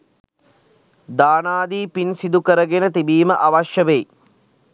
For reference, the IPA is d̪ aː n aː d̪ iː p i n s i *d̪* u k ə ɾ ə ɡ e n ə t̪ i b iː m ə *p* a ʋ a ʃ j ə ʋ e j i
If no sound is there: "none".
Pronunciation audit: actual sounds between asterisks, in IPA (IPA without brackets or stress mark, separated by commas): d̪, ʔ